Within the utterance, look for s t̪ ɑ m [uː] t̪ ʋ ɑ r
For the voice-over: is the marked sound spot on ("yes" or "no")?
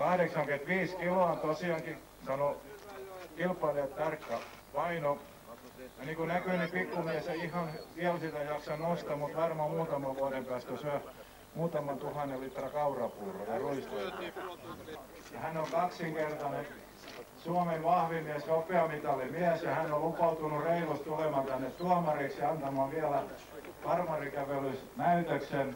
no